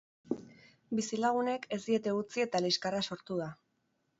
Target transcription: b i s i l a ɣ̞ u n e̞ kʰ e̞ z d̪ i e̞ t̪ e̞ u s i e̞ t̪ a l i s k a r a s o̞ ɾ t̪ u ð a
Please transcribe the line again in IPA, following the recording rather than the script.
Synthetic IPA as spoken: b i s i l a ɣ̞ u n e̞ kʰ e̞ z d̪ i e̞ t̪ e̞ u t͡s i e̞ t̪ a l i s k a r a s o̞ ɾ t̪ u ð a